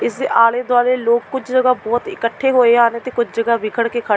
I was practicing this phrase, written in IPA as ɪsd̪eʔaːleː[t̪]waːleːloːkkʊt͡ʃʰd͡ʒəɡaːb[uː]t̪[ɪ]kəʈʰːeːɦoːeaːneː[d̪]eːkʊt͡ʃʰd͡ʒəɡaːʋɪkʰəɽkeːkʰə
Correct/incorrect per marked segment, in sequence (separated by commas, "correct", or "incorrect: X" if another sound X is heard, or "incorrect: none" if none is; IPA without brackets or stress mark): incorrect: d̪, incorrect: ɔː, correct, incorrect: t̪